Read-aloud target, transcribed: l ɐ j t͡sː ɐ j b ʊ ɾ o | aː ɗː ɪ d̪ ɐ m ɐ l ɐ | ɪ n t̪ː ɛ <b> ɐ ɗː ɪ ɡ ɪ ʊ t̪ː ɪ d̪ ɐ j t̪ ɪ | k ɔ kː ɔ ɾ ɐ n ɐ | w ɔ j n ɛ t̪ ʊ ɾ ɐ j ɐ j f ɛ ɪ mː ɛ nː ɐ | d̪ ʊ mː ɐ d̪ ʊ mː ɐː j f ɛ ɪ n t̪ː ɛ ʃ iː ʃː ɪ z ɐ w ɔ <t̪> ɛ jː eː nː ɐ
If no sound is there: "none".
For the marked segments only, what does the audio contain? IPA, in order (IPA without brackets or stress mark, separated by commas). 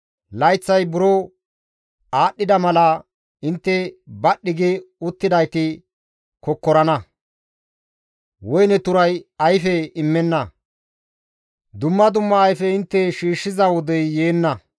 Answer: b, d̪